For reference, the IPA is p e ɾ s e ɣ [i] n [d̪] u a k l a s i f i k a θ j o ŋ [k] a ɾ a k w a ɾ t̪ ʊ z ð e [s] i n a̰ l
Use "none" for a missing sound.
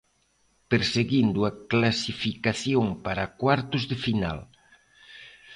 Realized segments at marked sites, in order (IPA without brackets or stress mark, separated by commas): i, d̪, p, f